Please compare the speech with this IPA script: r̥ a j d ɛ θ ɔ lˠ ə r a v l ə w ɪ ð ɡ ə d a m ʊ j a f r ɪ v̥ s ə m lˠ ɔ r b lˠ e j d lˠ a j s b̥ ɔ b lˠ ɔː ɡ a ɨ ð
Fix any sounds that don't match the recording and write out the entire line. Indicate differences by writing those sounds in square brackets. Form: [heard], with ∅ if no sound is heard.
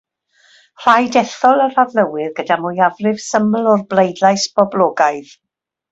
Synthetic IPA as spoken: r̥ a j d ɛ θ ɔ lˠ ə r a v l ə w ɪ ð ɡ ə d a m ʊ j a [v] r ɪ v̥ s ə m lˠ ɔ r b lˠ e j d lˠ a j s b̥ ɔ b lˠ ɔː ɡ a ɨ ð

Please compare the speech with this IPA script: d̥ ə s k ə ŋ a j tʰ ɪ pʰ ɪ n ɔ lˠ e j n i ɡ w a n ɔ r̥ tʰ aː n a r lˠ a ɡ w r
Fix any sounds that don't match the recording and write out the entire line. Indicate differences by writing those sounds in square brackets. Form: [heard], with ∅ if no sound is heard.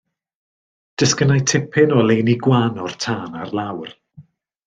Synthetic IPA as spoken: d̥ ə s k ə [n] a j tʰ ɪ pʰ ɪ n ɔ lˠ e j n i ɡ w a n ɔ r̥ tʰ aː n a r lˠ a [∅] w r

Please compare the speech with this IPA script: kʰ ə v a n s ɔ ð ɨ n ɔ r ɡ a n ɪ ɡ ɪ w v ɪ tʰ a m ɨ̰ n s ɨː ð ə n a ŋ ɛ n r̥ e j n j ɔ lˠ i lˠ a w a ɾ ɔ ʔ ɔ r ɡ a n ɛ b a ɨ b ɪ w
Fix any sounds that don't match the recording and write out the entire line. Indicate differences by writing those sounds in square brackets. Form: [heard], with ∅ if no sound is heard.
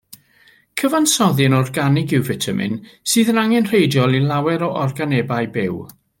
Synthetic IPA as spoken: kʰ ə v a n s ɔ ð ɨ n ɔ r ɡ a n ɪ ɡ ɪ w v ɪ tʰ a m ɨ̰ n s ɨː ð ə n a ŋ ɛ n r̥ e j [d] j ɔ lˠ i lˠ a w [ɛ] ɾ ɔ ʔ ɔ r ɡ a n ɛ b a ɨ b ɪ w

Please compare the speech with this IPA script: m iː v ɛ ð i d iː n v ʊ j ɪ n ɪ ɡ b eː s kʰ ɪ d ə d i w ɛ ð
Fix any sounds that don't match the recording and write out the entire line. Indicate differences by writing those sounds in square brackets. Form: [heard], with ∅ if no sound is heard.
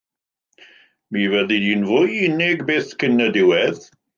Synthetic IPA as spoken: m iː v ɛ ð i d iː n v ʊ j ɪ n ɪ ɡ b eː [θ] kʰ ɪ [n] ə d [ɪ] w ɛ ð

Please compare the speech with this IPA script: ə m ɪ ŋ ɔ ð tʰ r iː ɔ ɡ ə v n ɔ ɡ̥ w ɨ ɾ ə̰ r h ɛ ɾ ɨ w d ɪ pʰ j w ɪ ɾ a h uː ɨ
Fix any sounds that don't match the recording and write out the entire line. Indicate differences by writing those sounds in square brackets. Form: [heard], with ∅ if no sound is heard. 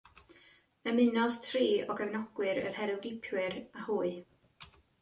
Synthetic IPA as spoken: ə m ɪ [n] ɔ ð tʰ r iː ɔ ɡ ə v n ɔ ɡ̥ w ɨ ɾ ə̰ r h ɛ ɾ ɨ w [ɡ] ɪ pʰ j w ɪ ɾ a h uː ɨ

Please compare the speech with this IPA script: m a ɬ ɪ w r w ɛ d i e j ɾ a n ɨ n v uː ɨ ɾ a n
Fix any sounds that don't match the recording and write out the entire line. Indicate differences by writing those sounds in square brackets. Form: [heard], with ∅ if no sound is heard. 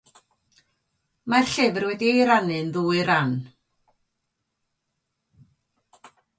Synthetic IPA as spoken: m a ɬ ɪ [v] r w ɛ d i e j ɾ a n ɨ n [ð] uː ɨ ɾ a n

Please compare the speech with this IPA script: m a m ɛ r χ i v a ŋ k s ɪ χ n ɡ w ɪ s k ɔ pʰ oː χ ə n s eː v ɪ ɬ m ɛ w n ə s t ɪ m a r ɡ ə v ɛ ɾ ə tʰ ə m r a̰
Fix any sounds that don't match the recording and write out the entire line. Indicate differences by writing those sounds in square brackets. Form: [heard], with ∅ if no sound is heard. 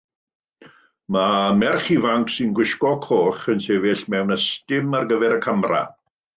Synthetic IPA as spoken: m a m ɛ r χ i v a ŋ k s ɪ [∅] n ɡ w ɪ [ʃ] k ɔ [kʰ] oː χ ə n s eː v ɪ ɬ m ɛ w n ə s t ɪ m a r ɡ ə v ɛ ɾ ə [kʰ] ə m r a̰

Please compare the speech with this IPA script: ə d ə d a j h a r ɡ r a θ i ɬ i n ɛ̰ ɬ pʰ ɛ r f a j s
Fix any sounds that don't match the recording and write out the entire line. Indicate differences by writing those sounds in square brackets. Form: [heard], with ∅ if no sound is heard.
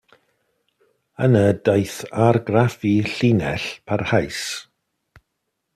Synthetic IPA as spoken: ə [n] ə d a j [θ] a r ɡ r a [f] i ɬ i n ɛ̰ ɬ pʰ [a] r [h] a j s

